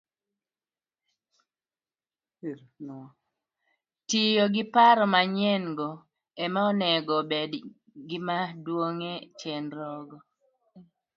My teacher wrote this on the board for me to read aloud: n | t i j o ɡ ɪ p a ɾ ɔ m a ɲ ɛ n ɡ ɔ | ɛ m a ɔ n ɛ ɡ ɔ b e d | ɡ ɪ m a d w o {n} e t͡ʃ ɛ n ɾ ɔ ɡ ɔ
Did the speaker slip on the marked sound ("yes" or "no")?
yes